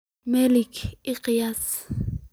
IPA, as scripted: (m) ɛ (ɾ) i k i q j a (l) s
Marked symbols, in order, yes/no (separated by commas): yes, no, no